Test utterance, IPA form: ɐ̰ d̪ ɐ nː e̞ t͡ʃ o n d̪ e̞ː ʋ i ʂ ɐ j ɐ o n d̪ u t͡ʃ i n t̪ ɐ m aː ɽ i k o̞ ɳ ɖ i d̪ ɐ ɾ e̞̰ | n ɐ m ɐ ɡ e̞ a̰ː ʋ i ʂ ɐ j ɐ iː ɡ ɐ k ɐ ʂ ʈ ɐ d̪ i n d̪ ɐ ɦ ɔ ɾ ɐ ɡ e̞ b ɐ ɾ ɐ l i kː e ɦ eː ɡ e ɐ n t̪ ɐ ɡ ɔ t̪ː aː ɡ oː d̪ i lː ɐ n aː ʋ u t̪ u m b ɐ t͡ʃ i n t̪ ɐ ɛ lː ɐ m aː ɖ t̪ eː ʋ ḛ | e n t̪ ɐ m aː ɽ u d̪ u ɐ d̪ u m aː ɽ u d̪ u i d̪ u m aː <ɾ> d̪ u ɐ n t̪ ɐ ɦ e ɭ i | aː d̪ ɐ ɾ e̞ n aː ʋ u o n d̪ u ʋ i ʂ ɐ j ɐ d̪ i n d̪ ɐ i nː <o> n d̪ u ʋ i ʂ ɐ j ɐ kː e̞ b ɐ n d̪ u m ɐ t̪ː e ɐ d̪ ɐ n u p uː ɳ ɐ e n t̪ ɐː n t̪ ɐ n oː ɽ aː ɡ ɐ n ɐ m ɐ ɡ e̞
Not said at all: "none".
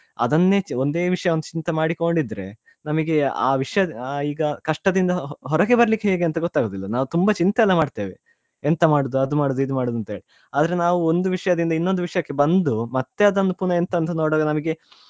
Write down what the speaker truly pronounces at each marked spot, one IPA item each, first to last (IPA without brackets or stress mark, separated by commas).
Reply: ɽ, o